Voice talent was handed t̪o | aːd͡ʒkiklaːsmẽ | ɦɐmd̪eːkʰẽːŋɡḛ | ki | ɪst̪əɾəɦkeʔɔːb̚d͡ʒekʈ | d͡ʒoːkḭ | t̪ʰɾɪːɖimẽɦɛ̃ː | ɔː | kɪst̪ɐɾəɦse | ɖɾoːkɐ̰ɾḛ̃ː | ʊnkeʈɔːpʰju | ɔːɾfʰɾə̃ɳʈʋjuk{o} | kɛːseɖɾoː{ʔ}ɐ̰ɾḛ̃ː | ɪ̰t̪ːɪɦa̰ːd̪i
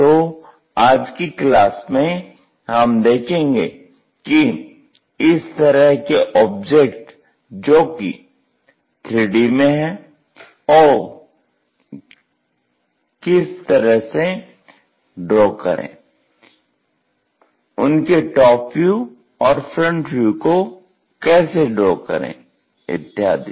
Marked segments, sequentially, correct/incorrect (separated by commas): correct, incorrect